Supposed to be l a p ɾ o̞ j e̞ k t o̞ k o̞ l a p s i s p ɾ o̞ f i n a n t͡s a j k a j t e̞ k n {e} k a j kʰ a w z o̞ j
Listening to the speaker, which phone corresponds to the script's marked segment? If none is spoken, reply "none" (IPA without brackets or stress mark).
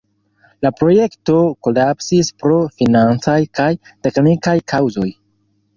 i